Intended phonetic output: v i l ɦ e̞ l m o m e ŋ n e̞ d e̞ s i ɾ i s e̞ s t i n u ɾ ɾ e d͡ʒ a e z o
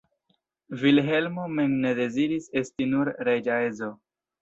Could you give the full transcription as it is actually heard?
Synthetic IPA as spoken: v i l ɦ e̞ l m o m e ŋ n e̞ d e̞ z i ɾ i s e̞ s t i n u ɾ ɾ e d͡ʒ a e z o

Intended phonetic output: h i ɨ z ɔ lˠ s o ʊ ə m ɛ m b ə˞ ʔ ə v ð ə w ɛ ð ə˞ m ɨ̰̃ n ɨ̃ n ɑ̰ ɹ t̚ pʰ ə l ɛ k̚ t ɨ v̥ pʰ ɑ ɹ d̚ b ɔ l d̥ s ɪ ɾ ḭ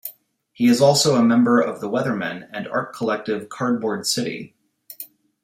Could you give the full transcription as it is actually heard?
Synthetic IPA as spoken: h i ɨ z ɔ lˠ s o ʊ ə m ɛ̃ m b ə˞ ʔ ʌ v ð ə w ɛ ð ə˞ m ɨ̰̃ n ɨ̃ n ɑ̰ ɹ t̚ kʰ ə l ɛ k̚ t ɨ v̥ kʰ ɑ ɹ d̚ b ɔ ɹ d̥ s ɪ ɾ ḭ

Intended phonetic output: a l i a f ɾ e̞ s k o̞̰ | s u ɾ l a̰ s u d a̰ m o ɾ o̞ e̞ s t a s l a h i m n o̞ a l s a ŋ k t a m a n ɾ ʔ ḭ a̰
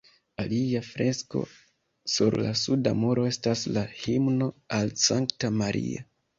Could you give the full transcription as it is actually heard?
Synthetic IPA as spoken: a l i a f ɾ e̞ s k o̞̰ | s u ɾ l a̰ s u d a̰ m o ɾ o̞ e̞ s t a s l a h i m n o̞ a l s a ŋ k t a m a ɾ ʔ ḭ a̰

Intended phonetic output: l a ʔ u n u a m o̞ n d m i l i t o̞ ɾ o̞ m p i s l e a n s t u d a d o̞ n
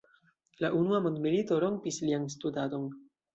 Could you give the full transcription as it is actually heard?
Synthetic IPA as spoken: l a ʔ u n u a m o̞ n d m i l i t o̞ ɾ o̞ m p i s l i a n s t u d a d o̞ n

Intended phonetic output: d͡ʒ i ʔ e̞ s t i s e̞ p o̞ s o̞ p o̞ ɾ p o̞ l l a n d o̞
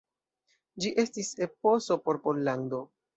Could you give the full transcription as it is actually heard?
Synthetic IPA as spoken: d͡ʒ i ʔ e̞ s t i s e̞ p o̞ s o̞ p o̞ ɾ p o̞ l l a n d o̞

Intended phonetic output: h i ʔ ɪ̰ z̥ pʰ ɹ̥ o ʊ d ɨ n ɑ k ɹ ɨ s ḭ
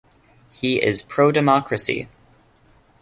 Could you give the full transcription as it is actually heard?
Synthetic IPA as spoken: h i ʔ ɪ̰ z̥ pʰ ɹ̥ o ʊ d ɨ m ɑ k ɹ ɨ s ḭ

